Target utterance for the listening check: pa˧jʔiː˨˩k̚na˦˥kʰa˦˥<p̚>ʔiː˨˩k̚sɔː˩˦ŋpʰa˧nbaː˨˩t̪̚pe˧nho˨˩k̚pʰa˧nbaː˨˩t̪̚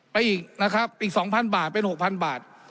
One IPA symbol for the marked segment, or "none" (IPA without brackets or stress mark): p̚